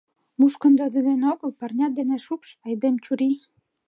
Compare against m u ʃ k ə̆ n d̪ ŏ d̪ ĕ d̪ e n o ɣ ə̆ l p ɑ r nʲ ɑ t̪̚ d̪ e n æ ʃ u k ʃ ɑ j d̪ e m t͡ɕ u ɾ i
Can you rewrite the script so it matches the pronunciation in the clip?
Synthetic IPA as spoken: m u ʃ k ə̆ n d̪ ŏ d̪ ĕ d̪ e n o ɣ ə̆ l p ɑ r nʲ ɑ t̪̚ d̪ e n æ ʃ u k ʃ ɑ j d̪ e m t͡ɕ u ɾ i